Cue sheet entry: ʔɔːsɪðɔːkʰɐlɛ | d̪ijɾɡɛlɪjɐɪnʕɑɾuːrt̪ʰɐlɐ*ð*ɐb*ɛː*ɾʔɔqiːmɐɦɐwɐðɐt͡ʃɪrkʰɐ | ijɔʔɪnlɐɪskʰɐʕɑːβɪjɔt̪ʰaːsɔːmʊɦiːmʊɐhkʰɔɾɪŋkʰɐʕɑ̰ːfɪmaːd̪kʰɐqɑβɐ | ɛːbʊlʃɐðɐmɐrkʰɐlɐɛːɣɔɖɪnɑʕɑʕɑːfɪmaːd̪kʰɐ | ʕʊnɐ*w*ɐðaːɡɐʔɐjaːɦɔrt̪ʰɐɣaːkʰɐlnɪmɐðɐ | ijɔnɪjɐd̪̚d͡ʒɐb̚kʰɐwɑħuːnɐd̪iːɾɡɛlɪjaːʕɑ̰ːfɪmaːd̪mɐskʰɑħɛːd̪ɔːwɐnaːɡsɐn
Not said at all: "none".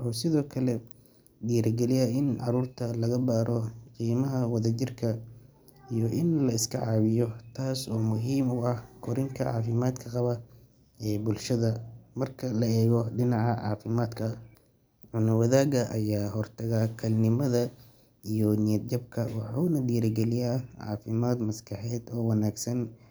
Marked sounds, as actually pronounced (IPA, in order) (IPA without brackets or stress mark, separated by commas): ɣ, aː, w